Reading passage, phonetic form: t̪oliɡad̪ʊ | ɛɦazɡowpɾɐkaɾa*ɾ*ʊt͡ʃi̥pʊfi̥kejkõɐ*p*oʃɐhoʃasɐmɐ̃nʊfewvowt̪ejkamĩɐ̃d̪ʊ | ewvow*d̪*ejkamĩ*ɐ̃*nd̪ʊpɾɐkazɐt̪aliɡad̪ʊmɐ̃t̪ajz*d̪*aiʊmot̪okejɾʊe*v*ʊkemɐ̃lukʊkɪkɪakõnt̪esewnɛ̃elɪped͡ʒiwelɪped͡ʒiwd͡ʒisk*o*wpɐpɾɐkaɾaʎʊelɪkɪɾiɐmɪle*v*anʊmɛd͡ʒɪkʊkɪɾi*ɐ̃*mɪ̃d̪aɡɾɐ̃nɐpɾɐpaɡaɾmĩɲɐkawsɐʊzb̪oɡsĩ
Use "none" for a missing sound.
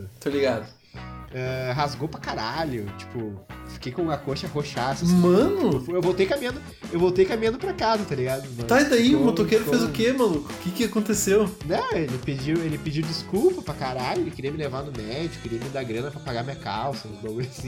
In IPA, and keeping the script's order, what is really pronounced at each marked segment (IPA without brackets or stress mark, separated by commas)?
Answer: ʎ, k, t̪, ɐ̃, d̪, z, u, v, ɐ